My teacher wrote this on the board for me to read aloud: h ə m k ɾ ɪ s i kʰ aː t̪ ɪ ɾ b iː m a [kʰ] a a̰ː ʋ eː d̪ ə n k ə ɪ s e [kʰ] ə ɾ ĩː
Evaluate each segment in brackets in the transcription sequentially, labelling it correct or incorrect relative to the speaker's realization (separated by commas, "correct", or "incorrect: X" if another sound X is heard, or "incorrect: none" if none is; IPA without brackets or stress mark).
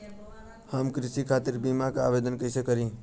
incorrect: k, incorrect: k